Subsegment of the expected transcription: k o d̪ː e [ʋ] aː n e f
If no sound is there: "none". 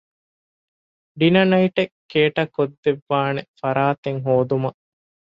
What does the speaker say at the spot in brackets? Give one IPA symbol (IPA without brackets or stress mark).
ʋː